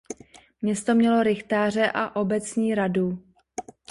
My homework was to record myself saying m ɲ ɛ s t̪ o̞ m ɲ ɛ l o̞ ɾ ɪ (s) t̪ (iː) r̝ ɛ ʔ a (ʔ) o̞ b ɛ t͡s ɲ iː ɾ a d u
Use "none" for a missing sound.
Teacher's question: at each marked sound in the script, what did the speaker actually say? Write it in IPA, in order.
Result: x, aː, ʔ

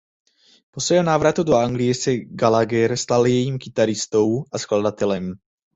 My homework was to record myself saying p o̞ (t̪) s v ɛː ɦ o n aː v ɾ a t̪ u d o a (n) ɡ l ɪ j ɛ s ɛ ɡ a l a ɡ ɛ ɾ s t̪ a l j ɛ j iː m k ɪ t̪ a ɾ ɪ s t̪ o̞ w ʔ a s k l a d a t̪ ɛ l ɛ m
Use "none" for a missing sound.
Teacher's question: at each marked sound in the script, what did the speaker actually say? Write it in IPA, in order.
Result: none, ŋ

